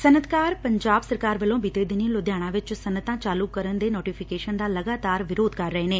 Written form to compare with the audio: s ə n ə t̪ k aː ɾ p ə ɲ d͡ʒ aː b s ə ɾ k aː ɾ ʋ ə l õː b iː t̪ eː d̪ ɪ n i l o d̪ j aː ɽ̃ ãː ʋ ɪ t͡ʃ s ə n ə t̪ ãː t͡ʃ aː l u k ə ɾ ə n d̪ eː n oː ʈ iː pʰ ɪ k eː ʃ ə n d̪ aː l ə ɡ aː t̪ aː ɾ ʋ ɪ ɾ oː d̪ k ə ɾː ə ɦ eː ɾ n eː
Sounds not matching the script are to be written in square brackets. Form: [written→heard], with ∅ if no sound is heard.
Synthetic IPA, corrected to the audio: s ə n ə t̪ k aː ɾ p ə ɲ d͡ʒ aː b s ə ɾ k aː ɾ ʋ ə l õː b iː t̪ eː d̪ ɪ n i l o d̪ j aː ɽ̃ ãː ʋ ɪ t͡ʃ s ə n ə t̪ ãː t͡ʃ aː l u k ə ɾ ə n d̪ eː n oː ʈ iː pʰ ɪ k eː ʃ ə n d̪ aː l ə ɡ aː t̪ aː ɾ ʋ ɪ ɾ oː d̪ k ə ɾː ə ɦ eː [ɾ→∅] n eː